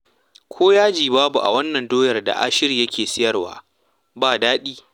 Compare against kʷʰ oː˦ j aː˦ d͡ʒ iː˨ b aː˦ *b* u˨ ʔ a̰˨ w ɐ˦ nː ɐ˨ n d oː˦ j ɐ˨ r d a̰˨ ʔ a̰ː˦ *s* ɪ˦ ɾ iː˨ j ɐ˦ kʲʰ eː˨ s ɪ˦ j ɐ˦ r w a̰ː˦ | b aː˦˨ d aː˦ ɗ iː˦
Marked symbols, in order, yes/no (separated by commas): yes, no